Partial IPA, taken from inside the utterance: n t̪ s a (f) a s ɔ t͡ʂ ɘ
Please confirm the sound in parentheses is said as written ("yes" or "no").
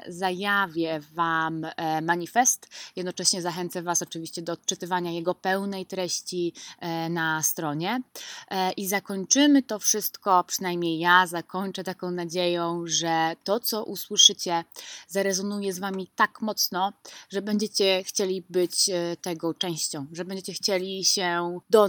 no